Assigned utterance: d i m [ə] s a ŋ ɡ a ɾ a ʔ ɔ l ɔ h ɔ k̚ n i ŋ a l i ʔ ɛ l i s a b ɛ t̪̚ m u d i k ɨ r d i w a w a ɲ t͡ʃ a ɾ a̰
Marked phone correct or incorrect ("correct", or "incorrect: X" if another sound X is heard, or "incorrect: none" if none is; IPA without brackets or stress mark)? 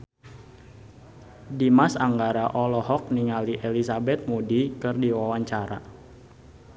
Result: incorrect: a